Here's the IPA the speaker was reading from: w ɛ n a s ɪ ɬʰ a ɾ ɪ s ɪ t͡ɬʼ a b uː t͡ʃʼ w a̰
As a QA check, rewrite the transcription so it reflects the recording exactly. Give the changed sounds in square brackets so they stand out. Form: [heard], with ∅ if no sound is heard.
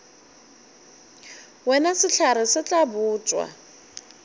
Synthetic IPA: w ɛ n a s ɪ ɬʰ a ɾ ɪ s ɪ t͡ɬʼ a b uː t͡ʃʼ w a̰